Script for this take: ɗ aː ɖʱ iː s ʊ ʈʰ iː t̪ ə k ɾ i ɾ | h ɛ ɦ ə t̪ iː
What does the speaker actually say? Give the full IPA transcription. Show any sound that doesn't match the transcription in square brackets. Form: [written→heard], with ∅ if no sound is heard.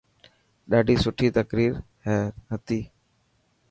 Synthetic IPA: ɗ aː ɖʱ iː s ʊ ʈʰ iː t̪ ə k ɾ [i→iː] ɾ | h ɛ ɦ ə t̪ iː